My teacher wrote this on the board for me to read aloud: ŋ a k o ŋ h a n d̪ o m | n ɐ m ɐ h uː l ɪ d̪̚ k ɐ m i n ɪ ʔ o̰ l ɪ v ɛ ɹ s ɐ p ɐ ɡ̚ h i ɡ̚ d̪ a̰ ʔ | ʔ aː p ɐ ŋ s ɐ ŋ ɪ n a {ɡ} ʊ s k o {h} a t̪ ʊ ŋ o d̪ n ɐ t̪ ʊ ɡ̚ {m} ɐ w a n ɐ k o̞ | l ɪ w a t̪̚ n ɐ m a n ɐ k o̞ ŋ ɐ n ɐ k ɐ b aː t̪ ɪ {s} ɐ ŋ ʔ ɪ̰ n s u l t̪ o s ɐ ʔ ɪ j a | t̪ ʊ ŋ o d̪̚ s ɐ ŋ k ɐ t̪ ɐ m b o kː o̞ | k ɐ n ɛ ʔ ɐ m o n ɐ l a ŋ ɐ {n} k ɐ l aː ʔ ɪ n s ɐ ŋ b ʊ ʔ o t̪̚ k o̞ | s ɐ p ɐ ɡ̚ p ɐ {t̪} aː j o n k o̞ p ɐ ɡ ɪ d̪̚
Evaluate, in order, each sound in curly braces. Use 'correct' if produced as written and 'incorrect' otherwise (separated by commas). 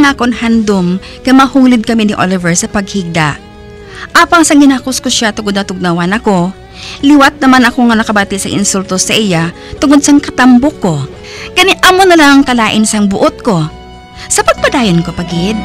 incorrect, incorrect, incorrect, correct, incorrect, incorrect